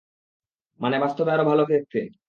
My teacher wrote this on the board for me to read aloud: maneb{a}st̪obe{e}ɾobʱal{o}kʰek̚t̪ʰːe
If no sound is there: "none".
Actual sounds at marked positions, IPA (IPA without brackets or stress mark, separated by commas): a, a, o